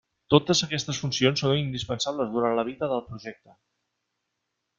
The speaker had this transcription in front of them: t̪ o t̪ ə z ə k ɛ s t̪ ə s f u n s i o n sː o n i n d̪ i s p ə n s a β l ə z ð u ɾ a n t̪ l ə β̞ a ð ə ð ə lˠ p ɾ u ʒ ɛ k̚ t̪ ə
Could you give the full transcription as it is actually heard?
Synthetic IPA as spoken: t̪ o t̪ ə z ə k ɛ s t̪ ə s f u n s i o n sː o n i n d̪ i s p ə n s a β l ə z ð u ɾ a n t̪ l ə β̞ i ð ə ð ə lˠ p ɾ u ʒ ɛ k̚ t̪ ə